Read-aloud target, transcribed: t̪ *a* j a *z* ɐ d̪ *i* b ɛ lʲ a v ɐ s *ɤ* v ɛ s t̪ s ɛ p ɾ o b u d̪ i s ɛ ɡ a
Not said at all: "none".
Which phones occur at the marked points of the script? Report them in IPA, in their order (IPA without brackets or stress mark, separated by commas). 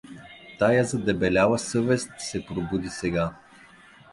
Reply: a, z, ɛ, ɤ